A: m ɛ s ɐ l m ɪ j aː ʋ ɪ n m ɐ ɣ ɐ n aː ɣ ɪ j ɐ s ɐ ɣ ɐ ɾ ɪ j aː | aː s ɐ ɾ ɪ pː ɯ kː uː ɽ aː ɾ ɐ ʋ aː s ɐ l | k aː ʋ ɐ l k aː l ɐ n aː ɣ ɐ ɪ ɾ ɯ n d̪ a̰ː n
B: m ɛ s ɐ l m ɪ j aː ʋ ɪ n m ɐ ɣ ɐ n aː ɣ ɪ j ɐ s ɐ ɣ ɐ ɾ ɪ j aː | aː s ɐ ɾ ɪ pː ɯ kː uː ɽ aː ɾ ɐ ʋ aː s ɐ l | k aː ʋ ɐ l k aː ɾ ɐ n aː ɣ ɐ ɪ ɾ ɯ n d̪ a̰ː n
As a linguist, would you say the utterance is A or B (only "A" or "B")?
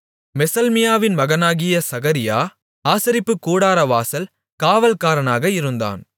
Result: B